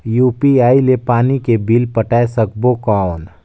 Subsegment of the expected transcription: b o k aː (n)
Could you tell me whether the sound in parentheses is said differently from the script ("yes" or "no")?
no